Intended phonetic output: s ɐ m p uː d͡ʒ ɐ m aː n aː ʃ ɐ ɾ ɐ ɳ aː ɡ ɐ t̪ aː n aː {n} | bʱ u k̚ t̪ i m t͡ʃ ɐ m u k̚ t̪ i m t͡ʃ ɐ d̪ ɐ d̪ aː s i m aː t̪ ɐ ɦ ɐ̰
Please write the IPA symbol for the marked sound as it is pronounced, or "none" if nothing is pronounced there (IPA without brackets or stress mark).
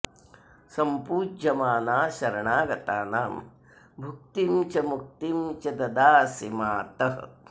m